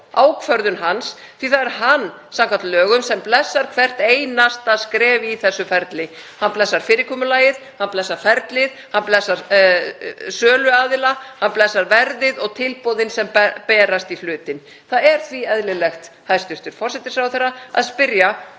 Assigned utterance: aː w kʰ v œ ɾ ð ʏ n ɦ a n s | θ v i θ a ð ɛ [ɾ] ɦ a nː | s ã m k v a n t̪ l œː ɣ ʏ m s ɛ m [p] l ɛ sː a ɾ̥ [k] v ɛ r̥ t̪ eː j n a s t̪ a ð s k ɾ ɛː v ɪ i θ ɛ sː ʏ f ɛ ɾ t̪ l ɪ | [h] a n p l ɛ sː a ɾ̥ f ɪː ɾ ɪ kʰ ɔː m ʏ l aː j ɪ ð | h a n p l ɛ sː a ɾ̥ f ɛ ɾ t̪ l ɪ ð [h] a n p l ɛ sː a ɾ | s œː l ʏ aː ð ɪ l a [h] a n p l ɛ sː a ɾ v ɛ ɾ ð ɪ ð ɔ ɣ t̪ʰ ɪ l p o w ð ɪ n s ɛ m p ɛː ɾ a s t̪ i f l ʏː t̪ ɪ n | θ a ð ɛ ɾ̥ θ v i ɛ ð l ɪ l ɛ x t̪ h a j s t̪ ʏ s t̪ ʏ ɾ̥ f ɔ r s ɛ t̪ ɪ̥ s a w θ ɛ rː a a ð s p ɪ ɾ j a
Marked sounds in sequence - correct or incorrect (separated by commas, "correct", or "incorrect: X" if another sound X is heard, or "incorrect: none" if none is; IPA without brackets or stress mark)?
correct, correct, incorrect: kʰ, correct, correct, correct